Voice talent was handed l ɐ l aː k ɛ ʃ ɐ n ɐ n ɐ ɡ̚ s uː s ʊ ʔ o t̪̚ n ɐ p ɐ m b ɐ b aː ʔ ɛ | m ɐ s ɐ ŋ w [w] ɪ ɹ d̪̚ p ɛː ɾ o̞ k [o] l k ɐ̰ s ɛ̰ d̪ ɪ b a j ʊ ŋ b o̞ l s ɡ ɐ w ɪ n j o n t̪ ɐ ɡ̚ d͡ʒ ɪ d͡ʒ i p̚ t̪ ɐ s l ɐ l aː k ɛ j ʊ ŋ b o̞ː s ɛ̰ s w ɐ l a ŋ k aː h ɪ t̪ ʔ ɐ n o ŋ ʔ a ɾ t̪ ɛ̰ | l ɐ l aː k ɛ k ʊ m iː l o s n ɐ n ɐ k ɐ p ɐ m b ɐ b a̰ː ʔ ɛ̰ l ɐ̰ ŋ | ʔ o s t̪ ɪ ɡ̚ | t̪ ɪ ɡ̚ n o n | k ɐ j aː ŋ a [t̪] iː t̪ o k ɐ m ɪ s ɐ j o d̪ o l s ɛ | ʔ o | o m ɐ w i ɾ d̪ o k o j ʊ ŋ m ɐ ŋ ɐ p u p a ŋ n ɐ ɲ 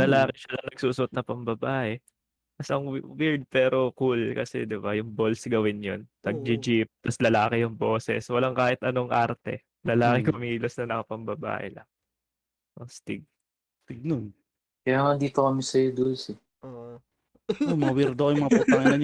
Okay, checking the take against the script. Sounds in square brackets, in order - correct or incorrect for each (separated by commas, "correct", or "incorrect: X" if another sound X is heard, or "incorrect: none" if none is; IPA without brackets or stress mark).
correct, incorrect: u, incorrect: d̪